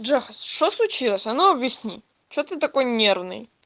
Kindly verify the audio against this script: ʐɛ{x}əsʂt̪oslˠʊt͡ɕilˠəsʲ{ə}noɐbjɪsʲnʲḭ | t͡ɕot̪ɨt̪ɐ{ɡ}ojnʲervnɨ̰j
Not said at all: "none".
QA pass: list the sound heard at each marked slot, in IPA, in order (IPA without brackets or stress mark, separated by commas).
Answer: x, ɐ, k